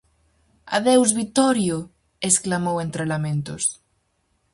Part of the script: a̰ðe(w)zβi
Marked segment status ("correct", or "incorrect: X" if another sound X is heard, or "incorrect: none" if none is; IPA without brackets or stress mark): correct